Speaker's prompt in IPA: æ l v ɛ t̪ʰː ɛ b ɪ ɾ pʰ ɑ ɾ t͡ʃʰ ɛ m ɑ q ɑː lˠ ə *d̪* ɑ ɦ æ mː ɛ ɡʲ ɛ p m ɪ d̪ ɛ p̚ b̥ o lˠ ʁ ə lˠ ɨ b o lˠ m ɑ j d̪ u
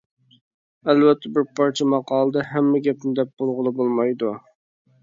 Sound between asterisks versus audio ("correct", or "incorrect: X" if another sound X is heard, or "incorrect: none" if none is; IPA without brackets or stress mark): correct